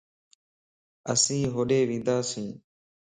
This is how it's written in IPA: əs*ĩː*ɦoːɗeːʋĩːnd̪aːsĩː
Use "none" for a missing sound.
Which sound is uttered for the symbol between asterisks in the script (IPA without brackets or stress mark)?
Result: ĩː